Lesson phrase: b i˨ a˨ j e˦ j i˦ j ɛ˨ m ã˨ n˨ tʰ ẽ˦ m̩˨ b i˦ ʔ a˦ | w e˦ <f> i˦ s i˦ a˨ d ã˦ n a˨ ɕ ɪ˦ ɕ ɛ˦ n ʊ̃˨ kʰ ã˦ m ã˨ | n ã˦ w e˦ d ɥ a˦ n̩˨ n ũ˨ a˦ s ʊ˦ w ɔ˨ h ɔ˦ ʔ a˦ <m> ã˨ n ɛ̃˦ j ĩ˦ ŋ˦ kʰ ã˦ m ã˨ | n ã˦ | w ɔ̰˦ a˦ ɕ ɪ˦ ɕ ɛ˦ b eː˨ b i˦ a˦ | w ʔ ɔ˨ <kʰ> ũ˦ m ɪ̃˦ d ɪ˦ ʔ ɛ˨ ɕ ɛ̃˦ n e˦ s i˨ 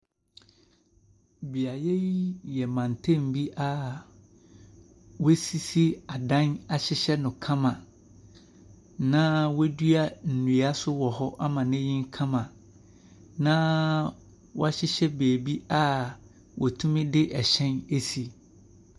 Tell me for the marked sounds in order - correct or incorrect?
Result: incorrect: s, correct, incorrect: tʰ

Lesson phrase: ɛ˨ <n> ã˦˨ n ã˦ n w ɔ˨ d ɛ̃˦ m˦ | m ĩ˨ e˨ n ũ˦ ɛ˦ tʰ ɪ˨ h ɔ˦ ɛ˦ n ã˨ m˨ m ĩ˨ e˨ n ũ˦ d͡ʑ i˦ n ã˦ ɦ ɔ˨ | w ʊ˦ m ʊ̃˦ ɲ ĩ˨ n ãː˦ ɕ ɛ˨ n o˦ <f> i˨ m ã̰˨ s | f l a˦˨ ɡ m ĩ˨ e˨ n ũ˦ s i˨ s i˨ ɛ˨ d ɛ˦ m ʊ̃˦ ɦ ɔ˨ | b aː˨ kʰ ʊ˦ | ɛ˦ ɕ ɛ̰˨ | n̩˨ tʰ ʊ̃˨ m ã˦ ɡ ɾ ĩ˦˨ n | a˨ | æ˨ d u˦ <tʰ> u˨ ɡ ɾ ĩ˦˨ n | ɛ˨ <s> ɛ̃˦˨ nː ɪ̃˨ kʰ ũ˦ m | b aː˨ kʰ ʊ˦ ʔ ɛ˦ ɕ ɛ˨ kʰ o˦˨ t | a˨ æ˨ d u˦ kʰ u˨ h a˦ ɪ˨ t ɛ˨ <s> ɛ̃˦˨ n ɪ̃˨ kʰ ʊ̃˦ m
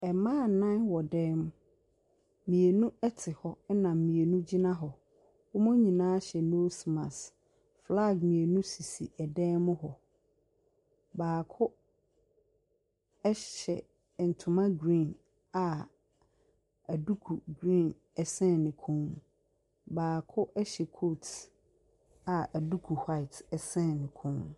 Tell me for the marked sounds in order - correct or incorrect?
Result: incorrect: m, incorrect: s, incorrect: kʰ, correct, correct

